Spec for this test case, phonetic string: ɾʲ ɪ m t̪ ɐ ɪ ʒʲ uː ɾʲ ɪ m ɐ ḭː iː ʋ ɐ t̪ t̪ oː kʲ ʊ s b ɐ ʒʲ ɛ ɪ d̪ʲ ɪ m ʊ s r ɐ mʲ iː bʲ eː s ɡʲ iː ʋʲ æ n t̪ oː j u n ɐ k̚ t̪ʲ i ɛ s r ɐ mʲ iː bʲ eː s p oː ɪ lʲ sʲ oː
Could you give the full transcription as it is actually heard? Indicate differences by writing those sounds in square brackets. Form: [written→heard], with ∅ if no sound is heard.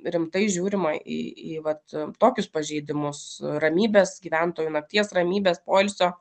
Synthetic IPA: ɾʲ ɪ m t̪ ɐ ɪ ʒʲ uː ɾʲ ɪ m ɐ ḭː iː ʋ ɐ t̪ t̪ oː kʲ ʊ s [b→p] ɐ ʒʲ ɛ ɪ d̪ʲ ɪ m ʊ s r ɐ mʲ iː bʲ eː s ɡʲ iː ʋʲ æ n t̪ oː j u n ɐ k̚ t̪ʲ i ɛ s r ɐ mʲ iː bʲ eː s p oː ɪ lʲ sʲ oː